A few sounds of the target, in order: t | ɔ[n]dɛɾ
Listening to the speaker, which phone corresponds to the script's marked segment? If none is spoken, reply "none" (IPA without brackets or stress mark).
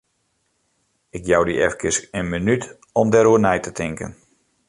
m